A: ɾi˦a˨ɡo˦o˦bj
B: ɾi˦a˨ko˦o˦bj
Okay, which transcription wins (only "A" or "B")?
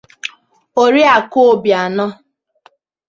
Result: B